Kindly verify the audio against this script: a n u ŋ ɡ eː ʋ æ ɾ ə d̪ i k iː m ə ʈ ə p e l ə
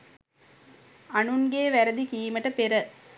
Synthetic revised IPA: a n u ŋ ɡ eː ʋ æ ɾ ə d̪ i k iː m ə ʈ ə p e ɾ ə